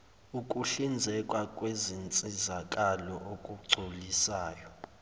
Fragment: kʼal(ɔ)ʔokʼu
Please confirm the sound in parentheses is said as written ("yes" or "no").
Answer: yes